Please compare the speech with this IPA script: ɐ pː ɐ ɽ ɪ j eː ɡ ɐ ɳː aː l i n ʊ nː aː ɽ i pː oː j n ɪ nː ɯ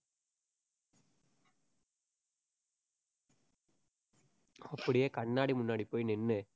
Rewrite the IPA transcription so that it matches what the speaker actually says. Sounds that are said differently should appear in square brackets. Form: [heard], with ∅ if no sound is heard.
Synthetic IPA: ɐ pː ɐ ɽ ɪ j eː [k] ɐ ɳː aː [ɽ] i [m] ʊ nː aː ɽ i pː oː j n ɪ nː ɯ